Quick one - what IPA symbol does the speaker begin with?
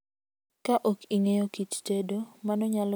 k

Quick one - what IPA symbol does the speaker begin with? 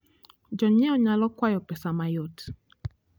d͡ʒ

